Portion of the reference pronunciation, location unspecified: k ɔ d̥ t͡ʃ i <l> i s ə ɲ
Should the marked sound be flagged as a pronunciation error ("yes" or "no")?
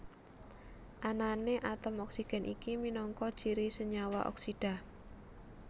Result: yes